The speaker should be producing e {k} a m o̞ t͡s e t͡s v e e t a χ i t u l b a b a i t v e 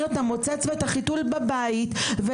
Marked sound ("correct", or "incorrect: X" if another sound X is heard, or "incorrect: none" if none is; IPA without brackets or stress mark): incorrect: t